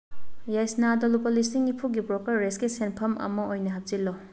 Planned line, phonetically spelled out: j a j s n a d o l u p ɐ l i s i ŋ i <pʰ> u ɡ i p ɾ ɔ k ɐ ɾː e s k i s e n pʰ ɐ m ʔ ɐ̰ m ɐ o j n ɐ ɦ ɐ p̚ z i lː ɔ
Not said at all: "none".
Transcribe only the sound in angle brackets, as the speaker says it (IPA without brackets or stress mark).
pʰ